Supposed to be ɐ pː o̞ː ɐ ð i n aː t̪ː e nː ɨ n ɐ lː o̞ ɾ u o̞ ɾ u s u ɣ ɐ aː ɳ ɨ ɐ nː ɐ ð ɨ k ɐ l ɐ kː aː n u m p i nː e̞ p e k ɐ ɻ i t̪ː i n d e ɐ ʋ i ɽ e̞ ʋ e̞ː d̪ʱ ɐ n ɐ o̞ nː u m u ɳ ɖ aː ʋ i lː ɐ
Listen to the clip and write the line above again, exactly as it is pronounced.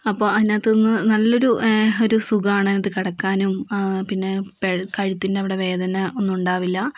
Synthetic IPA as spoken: ɐ pː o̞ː ɐ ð i n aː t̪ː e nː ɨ n ɐ lː o̞ ɾ u o̞ ɾ u s u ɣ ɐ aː ɳ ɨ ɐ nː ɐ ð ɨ k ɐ ɽ ɐ kː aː n u m p i nː e̞ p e k ɐ ɻ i t̪ː i n d e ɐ ʋ i ɽ e̞ ʋ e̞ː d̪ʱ ɐ n ɐ o̞ nː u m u ɳ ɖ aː ʋ i lː ɐ

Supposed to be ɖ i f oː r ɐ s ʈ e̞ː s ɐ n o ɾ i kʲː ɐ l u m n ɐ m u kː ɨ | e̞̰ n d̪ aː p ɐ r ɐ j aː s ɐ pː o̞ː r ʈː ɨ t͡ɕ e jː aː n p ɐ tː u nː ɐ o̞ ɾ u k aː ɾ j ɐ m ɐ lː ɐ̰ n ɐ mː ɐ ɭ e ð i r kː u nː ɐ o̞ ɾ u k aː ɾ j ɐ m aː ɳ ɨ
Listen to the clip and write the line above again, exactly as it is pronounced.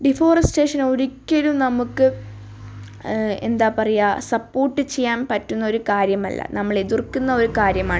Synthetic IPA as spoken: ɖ i f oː r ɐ s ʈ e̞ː ʂ ɐ n o ɾ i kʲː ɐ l u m n ɐ m u kː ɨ | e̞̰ n d̪ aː p ɐ r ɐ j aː s ɐ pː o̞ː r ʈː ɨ t͡ɕ e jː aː n p ɐ tː u nː ɐ o̞ ɾ u k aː ɾ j ɐ m ɐ lː ɐ̰ n ɐ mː ɐ ɭ e ð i r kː u nː ɐ o̞ ɾ u k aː ɾ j ɐ m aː ɳ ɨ

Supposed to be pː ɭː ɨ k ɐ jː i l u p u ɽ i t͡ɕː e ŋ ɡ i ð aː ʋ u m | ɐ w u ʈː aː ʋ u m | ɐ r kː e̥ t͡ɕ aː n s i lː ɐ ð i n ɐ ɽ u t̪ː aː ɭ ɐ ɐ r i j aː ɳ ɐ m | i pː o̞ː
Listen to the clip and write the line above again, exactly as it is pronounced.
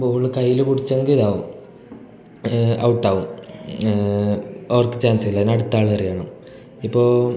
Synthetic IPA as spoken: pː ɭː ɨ k ɐ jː i l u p u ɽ i t͡ɕː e ŋ ɡ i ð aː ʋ u m | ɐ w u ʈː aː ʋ u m | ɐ r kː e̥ t͡ɕ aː n s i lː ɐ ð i n ɐ ɽ u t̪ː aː ɭ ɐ ɐ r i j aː ɳ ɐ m | i pː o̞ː

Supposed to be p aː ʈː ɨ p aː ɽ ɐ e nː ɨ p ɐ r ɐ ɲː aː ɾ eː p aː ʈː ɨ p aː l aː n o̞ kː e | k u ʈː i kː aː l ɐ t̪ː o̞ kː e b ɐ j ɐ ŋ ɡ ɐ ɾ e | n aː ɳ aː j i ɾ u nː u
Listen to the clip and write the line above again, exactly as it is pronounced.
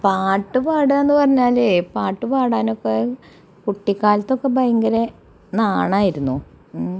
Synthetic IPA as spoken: p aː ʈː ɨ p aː ɽ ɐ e nː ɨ p ɐ r ɐ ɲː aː l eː p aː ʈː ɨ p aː ɽ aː n o̞ kː e | k u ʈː i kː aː l ɐ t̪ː o̞ kː e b ɐ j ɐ ŋ ɡ ɐ ɾ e | n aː ɳ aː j i ɾ u nː u

